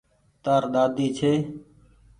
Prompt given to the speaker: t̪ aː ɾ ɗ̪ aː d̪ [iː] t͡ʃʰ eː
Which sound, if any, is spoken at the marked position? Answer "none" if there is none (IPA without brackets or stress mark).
iː